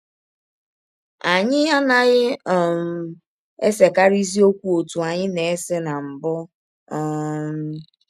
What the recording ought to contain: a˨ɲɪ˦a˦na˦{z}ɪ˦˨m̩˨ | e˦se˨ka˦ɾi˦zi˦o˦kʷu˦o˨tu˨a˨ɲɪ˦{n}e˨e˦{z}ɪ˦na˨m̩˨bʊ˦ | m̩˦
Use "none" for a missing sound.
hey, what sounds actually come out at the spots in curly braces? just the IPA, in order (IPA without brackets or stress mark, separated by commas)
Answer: ɣ, n, s